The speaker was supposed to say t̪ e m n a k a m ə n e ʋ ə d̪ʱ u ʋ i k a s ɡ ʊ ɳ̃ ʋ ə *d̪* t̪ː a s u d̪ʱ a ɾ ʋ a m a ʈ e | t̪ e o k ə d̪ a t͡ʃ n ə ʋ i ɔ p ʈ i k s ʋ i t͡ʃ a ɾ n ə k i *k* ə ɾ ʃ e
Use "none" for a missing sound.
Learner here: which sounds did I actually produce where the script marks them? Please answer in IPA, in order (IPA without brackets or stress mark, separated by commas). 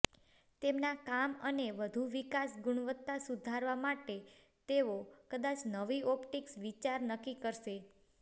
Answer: none, k